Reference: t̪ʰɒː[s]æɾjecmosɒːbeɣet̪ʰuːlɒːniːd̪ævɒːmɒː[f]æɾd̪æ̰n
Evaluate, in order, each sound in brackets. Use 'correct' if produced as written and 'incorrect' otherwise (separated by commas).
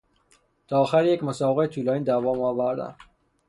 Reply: incorrect, incorrect